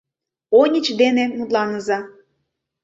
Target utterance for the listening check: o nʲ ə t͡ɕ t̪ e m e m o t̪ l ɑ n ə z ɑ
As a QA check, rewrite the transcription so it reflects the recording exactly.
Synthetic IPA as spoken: o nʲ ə t͡ɕ d̪ e n e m u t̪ l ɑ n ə z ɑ